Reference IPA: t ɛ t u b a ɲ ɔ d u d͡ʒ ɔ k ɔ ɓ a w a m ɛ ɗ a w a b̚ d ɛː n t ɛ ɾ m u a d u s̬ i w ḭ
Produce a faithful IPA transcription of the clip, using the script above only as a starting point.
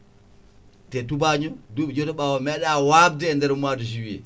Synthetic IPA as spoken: t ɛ t u b a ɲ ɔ d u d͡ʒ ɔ t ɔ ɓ a w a m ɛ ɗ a w a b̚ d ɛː n d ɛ ɾ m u a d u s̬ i w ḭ